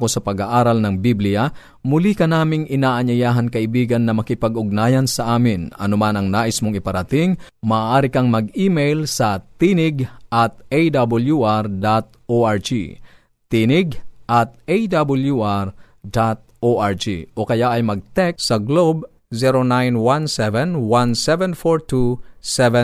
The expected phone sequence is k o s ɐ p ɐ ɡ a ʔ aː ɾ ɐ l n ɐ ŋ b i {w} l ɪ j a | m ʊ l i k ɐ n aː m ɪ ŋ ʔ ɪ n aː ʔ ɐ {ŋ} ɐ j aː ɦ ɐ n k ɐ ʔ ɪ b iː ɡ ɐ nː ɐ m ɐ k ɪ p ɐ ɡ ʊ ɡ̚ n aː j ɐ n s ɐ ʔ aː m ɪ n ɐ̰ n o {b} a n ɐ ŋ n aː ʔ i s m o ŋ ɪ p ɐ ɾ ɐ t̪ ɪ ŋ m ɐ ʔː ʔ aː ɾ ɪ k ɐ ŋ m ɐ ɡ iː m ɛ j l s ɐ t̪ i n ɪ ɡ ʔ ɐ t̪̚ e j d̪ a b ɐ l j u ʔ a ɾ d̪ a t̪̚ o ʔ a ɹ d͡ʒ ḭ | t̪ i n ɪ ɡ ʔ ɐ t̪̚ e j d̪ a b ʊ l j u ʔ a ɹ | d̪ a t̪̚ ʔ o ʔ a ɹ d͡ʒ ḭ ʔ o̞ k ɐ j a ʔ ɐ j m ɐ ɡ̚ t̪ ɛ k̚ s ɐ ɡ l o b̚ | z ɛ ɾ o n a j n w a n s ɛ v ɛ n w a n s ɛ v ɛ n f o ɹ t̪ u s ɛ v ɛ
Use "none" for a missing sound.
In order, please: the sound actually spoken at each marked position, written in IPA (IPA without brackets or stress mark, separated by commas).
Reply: b, ɲ, m